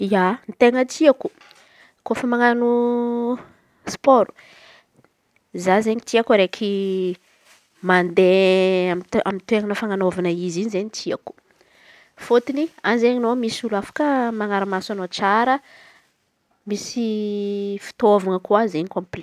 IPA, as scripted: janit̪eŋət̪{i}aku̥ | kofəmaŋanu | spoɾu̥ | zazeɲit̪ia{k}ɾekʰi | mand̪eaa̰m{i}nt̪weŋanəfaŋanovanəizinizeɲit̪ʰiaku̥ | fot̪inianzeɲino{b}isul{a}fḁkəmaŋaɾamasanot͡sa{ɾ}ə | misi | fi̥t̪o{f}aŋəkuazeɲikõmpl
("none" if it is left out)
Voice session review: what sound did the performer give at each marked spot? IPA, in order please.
i, k, i, m, a, ɾ, v

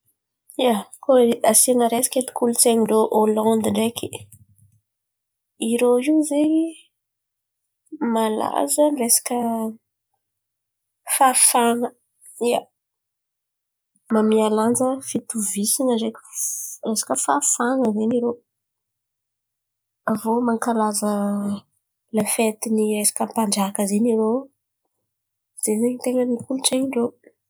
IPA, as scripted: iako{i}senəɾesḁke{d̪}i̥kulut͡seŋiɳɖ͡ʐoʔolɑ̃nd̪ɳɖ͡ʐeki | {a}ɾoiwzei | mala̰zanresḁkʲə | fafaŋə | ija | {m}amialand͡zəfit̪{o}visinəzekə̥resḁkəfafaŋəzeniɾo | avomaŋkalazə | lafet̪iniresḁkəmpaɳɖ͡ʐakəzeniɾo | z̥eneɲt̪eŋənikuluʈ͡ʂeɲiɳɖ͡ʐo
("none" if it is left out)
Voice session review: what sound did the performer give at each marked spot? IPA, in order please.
a, t̪, i, m, u

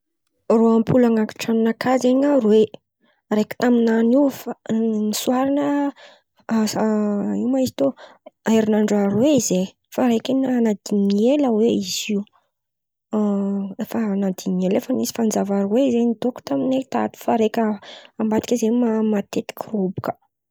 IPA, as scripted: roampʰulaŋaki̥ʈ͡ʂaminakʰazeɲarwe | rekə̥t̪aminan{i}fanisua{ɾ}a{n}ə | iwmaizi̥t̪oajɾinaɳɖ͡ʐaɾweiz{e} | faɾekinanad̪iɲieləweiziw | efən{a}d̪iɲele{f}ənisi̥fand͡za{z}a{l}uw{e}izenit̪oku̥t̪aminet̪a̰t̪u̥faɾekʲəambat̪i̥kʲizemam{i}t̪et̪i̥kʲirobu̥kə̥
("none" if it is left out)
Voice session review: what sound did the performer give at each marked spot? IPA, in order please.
i, ɾ, n, e, a, f, v, ɾ, e, a

